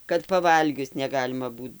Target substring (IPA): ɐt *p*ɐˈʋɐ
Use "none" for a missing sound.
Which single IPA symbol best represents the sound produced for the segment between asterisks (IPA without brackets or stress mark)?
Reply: p